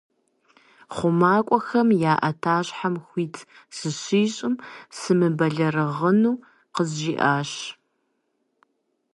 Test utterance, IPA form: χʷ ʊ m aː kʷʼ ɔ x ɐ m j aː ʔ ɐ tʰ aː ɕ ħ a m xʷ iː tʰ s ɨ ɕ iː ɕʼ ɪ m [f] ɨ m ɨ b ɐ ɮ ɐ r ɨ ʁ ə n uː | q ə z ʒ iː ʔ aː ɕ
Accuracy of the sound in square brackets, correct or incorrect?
incorrect: s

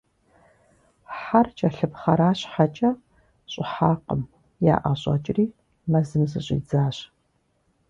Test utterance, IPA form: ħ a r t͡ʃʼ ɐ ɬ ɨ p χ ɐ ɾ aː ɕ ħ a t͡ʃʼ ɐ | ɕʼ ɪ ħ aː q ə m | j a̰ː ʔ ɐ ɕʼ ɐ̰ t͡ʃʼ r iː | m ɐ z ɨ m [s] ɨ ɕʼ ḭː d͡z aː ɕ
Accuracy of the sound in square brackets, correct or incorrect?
incorrect: z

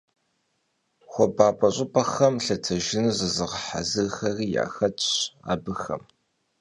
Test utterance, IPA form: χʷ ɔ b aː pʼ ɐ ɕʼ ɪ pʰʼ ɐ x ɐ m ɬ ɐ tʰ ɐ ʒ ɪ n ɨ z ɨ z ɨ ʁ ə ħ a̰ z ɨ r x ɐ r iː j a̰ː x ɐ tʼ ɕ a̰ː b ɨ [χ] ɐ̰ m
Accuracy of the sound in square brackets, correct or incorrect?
incorrect: x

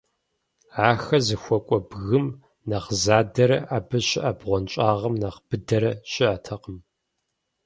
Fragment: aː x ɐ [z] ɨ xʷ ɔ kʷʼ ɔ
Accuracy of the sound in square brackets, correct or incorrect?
correct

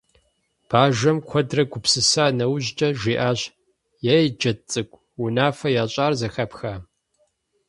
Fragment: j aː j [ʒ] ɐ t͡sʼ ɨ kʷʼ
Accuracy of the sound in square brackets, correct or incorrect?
incorrect: d͡ʒ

